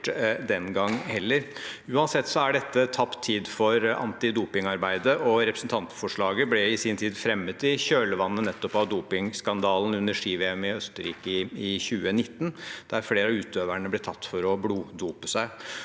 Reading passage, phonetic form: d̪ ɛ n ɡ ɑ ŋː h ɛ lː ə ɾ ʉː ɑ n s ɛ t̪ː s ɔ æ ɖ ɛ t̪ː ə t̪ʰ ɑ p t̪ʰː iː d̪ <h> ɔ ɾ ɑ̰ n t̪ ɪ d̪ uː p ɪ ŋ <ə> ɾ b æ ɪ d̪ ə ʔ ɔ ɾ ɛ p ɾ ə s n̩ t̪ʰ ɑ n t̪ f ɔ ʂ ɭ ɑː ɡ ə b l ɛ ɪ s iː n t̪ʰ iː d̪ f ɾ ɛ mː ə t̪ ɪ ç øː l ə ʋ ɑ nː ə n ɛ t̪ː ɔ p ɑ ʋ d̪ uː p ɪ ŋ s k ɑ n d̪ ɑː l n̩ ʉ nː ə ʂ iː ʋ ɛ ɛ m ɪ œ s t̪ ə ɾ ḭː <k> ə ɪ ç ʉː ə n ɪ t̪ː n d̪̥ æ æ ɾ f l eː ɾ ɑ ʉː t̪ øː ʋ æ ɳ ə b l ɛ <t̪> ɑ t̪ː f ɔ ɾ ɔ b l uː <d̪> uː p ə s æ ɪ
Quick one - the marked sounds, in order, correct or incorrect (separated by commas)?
incorrect, incorrect, correct, incorrect, correct